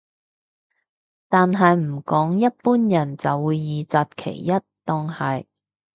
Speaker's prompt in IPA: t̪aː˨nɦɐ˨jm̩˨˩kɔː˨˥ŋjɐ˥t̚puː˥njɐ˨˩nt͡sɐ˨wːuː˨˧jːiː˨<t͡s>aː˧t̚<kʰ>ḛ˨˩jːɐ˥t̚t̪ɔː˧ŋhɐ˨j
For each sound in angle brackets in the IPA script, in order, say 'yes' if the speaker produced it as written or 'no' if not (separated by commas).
yes, yes